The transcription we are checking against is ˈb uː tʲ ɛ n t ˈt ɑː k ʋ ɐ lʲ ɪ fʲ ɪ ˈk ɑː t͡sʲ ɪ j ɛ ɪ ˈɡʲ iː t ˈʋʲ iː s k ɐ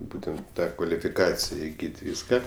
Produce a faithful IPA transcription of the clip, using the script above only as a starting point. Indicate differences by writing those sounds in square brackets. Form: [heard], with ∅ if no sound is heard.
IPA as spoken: ˈb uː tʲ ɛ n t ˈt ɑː k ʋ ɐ lʲ ɪ fʲ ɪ ˈk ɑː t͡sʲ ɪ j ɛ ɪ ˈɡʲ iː t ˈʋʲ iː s k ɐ